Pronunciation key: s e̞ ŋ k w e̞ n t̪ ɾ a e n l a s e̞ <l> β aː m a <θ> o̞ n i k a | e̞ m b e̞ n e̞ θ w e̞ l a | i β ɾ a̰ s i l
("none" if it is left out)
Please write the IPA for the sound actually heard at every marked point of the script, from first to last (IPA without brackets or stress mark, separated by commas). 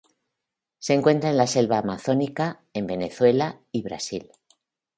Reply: l, θ